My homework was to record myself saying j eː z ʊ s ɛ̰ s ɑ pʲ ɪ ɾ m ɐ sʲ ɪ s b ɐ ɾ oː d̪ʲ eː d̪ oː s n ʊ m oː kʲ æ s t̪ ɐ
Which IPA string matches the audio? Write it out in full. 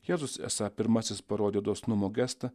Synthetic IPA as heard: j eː z ʊ s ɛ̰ s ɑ pʲ ɪ ɾ m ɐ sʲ ɪ s p ɐ ɾ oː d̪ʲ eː d̪ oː s n ʊ m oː ɡʲ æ s t̪ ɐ